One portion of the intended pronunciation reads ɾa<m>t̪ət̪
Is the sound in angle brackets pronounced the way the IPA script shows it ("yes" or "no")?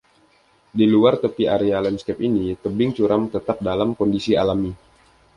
yes